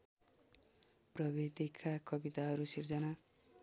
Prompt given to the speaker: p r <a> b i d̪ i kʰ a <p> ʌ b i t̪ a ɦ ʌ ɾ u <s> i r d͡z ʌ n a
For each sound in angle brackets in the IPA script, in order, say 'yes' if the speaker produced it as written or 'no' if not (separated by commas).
no, no, yes